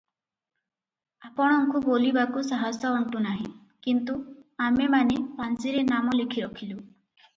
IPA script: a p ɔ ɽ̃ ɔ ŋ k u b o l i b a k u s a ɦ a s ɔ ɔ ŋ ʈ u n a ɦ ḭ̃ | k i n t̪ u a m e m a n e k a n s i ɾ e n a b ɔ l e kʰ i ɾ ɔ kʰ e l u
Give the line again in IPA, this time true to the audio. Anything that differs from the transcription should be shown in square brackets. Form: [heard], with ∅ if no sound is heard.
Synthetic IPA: a p ɔ ɽ̃ ɔ ŋ k u b o l i b a k u s a ɦ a s ɔ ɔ [ɳ] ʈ u n a ɦ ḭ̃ | k i n t̪ u a m e m a n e [p] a n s i ɾ e n a [m] ɔ l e kʰ i ɾ ɔ kʰ [i] l u